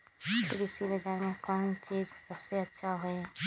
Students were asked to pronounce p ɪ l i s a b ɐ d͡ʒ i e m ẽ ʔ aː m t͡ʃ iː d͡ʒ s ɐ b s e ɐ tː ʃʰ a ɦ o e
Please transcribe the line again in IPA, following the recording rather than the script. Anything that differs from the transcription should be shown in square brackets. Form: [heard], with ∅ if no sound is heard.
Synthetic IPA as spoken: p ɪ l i s [i] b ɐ d͡ʒ [a] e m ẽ [k] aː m t͡ʃ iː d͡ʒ s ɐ b s e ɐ tː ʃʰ a ɦ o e